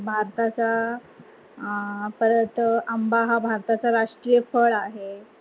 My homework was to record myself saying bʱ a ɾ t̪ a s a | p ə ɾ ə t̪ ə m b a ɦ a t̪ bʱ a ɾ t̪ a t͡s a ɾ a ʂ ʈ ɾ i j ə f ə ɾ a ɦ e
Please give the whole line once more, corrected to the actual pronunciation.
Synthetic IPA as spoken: bʱ a ɾ t̪ a t͡s a | p ə ɾ ə t̪ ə m b a ɦ a bʱ a ɾ t̪ a t͡s a ɾ a ʂ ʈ ɾ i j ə f ə ɭ a ɦ e